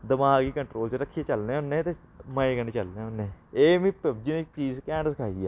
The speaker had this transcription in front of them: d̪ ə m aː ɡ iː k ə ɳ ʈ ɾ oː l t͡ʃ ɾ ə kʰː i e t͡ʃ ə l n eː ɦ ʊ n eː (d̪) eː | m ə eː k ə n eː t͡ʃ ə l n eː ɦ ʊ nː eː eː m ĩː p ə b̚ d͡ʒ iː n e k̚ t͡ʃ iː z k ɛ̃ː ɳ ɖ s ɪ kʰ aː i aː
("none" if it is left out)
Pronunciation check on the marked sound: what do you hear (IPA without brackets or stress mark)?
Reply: t̪